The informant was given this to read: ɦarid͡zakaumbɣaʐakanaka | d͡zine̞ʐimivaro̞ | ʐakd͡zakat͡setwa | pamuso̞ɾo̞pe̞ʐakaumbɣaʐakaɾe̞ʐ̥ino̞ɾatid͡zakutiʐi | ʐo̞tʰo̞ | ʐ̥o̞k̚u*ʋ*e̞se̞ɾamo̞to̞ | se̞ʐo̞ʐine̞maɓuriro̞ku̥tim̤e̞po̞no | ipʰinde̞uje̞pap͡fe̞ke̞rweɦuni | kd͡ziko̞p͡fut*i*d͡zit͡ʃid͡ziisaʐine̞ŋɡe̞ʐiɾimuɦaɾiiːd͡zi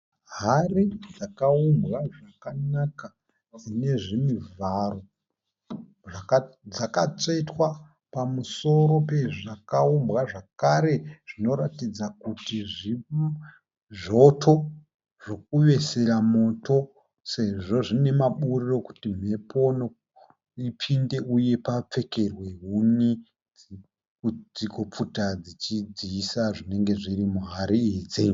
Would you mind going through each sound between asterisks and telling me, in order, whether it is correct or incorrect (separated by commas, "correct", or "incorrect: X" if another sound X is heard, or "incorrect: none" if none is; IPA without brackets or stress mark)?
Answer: correct, incorrect: a